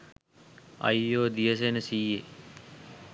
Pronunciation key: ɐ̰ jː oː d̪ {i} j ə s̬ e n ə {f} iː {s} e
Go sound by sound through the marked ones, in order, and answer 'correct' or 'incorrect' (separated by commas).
correct, incorrect, incorrect